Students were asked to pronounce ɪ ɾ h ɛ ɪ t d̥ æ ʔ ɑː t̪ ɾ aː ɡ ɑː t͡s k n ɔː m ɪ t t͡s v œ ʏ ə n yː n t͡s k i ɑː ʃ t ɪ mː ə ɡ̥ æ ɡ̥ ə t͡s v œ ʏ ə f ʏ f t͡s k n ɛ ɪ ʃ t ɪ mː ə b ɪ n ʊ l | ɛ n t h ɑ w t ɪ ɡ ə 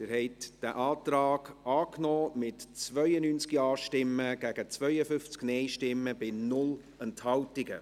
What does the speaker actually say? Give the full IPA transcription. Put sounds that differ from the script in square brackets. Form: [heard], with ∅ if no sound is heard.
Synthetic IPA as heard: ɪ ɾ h ɛ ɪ t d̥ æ ʔ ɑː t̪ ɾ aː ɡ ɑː [∅] k n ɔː m ɪ t t͡s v œ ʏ ə n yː n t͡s k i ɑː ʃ t ɪ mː ə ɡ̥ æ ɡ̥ ə t͡s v œ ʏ ə f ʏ f t͡s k n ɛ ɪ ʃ t ɪ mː ə b ɪ n ʊ l | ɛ n t h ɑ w t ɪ ɡ ə